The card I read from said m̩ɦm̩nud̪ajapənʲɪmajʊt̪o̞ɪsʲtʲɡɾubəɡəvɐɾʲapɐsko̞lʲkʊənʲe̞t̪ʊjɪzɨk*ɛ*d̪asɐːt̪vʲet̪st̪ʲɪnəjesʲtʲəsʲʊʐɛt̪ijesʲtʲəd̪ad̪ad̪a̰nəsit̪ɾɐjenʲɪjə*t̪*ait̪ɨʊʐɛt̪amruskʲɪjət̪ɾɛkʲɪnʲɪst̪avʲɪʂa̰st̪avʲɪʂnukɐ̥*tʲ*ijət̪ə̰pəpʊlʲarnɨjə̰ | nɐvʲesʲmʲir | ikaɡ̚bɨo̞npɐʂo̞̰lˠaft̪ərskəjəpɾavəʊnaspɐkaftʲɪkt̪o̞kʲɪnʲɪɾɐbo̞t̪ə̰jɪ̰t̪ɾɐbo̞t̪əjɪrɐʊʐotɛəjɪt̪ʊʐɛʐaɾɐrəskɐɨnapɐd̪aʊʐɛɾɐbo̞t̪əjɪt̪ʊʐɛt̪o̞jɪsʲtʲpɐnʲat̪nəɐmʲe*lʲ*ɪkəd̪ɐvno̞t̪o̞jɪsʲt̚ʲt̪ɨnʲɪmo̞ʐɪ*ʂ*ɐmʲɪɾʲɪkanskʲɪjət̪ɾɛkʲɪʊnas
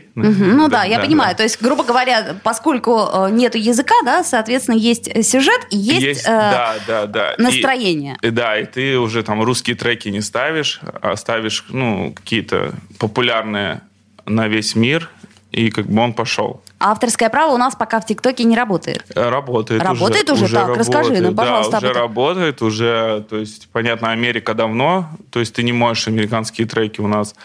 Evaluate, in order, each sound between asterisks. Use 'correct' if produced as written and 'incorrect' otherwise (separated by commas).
incorrect, incorrect, incorrect, incorrect, correct